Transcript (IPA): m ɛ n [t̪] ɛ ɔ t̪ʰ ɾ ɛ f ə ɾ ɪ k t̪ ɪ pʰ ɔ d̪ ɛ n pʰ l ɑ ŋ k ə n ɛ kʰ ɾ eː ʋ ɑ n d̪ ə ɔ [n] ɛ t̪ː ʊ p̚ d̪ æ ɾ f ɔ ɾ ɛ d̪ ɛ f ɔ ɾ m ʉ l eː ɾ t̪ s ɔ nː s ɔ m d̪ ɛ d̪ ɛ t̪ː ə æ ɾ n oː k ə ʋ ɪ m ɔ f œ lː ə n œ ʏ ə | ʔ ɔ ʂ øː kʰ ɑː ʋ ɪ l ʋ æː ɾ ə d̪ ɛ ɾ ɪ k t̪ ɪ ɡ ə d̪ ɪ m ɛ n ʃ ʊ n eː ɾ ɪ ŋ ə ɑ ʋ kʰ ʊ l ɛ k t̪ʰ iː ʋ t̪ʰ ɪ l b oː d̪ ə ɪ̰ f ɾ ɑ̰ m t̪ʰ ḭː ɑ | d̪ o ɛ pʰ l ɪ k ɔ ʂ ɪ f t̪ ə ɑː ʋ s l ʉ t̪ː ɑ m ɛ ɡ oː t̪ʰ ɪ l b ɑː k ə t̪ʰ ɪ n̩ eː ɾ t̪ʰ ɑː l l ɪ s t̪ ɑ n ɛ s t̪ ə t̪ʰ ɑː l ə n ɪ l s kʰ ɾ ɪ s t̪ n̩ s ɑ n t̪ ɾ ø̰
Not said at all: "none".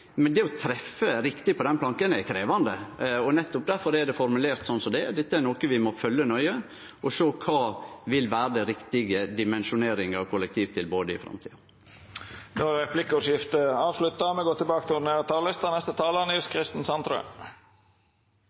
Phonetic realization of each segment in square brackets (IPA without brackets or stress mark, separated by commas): d̪, n